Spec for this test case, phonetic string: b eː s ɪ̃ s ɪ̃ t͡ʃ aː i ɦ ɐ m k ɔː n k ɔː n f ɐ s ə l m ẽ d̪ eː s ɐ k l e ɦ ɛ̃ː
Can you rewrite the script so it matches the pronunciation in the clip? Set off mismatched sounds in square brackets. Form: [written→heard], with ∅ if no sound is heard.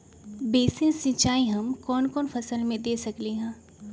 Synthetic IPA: b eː s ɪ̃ s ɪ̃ t͡ʃ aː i ɦ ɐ m k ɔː n k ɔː n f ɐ s ə l m ẽ d̪ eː s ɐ k l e ɦ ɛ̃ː